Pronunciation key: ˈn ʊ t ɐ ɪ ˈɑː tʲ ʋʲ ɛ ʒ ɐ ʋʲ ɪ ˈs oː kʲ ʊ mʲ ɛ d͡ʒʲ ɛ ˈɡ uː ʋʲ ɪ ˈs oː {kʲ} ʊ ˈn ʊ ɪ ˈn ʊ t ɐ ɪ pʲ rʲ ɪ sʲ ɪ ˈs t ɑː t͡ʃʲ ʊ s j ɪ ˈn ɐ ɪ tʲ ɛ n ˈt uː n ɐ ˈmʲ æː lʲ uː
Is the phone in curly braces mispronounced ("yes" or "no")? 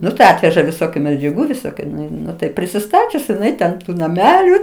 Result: no